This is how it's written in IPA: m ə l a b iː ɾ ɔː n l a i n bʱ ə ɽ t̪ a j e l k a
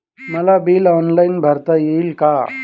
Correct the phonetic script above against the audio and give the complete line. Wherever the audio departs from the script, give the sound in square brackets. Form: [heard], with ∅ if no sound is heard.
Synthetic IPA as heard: m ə l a b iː [l] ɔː n l a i n bʱ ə [ɾ] t̪ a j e l k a